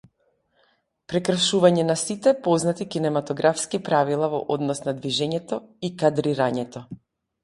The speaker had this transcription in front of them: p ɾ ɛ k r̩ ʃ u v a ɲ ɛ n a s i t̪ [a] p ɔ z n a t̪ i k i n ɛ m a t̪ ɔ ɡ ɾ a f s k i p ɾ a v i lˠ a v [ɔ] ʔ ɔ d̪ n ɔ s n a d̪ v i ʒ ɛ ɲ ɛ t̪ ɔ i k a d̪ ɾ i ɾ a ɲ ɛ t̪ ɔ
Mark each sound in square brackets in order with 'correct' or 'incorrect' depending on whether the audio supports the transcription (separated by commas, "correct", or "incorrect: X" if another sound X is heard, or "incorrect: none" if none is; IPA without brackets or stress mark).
incorrect: ɛ, correct